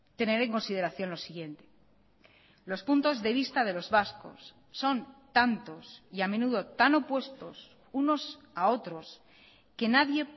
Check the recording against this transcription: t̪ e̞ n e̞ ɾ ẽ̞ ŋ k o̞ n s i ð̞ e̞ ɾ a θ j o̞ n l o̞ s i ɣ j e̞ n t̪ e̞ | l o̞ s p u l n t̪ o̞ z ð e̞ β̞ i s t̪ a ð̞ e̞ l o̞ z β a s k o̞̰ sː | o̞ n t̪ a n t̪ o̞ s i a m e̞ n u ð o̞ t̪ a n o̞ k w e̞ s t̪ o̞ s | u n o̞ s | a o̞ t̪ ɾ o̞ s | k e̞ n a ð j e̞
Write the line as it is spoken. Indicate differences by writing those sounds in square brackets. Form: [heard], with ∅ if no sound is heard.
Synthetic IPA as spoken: t̪ e̞ n e̞ ɾ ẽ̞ ŋ k o̞ n s i ð̞ e̞ ɾ a θ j o̞ n l o̞ s i ɣ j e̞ n t̪ e̞ | l o̞ s p u [∅] n t̪ o̞ z ð e̞ β̞ i s t̪ a ð̞ e̞ l o̞ z β a s k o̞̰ sː | o̞ n t̪ a n t̪ o̞ s i a m e̞ n u ð o̞ t̪ a n o̞ [p] w e̞ s t̪ o̞ s | u n o̞ s | a o̞ t̪ ɾ o̞ s | k e̞ n a ð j e̞